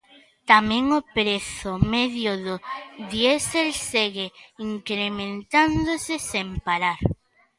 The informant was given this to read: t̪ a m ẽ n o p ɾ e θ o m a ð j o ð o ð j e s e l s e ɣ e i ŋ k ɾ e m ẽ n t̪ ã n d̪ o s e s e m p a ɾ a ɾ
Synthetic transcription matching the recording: t̪ a m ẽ ŋ o p ɾ e θ o m e ð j o ð o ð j e s e l s e ɣ e i ŋ k ɾ e m ẽ n t̪ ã n d̪ o s e s e m p a ɾ a ɾ